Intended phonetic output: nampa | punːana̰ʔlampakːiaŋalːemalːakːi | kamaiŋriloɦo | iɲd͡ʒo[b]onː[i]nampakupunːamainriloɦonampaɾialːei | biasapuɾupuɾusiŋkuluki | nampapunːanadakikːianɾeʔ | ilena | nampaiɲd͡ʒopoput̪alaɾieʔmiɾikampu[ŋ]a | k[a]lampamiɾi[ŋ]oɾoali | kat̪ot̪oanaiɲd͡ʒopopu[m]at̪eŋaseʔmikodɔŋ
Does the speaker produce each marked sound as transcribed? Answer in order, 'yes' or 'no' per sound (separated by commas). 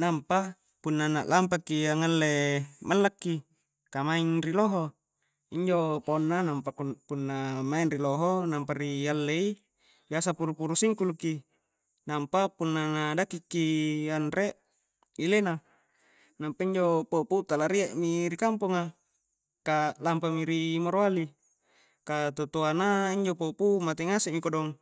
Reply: no, no, yes, yes, no, yes